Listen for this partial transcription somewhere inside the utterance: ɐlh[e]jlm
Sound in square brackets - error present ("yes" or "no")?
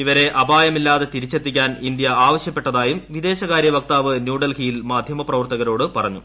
yes